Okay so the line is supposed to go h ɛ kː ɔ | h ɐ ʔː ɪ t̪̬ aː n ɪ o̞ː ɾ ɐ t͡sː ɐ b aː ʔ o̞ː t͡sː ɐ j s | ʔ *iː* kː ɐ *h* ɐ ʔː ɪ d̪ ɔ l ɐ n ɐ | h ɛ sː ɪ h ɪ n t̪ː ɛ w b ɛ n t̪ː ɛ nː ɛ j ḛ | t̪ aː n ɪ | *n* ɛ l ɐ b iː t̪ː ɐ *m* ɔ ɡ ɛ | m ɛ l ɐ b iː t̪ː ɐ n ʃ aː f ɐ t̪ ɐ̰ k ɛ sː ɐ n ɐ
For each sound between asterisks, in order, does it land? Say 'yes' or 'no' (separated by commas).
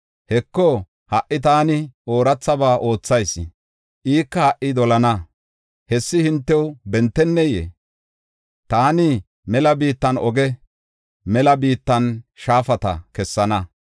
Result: yes, yes, no, no